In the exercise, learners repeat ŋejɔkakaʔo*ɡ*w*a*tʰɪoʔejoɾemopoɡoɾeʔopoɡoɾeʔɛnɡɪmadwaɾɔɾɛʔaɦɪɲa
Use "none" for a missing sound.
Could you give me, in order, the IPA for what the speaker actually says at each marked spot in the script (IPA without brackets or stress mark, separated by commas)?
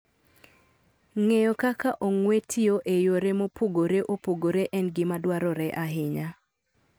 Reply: ŋ, e